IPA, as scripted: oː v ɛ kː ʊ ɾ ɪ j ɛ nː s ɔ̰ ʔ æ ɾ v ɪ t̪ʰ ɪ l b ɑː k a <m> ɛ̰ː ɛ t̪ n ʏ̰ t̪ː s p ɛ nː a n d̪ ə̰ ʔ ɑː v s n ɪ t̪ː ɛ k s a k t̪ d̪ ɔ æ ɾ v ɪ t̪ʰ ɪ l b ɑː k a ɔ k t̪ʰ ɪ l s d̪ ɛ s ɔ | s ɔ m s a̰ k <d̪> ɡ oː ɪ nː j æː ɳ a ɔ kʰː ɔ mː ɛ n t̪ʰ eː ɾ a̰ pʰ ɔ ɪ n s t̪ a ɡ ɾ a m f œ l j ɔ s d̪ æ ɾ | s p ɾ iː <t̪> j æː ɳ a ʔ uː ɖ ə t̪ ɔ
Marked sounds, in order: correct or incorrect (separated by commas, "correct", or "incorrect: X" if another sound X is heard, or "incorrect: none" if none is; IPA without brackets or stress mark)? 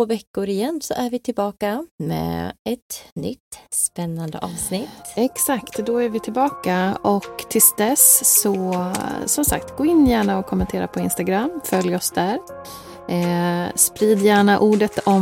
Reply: correct, incorrect: t̪, incorrect: d̪